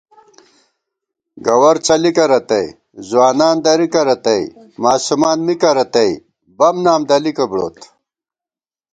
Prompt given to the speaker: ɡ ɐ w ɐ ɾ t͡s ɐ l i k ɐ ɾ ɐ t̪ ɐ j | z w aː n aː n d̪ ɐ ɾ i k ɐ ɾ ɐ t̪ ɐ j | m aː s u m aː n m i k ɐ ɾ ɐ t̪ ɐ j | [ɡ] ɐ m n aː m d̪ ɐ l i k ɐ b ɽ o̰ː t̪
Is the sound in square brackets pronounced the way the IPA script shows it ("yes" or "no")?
no